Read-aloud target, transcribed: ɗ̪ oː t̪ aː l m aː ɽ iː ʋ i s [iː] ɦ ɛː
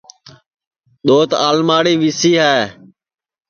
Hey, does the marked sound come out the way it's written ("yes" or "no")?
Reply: yes